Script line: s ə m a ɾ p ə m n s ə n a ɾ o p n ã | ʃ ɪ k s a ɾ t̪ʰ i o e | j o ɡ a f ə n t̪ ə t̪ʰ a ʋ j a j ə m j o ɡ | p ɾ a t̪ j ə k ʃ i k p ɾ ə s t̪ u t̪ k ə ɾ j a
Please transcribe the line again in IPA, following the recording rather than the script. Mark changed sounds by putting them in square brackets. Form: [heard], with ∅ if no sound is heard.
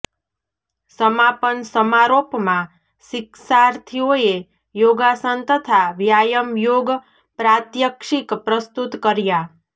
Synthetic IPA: s ə m a [∅] p ə [∅] n s ə [m] a ɾ o p [m] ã | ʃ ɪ k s a ɾ t̪ʰ i o e | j o ɡ a [s] ə n t̪ ə t̪ʰ a ʋ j a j ə m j o ɡ | p ɾ a t̪ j ə k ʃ i k p ɾ ə s t̪ u t̪ k ə ɾ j a